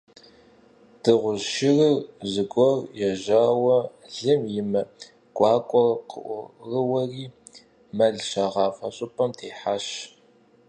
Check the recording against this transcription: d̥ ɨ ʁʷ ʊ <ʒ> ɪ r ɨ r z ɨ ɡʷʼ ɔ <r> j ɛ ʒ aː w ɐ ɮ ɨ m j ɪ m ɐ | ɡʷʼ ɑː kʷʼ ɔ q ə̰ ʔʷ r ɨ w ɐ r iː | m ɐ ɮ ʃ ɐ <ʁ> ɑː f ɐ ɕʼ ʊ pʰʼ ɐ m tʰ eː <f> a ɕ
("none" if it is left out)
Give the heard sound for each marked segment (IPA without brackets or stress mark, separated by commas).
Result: ʃ, r, ʁ, ħ